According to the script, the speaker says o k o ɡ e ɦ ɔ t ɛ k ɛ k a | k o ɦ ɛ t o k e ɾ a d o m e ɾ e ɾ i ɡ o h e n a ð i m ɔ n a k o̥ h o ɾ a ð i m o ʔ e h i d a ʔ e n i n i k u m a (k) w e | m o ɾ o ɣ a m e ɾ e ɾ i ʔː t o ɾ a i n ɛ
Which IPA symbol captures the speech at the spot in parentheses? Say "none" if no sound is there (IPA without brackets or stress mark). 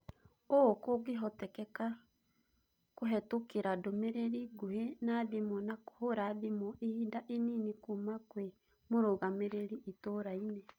k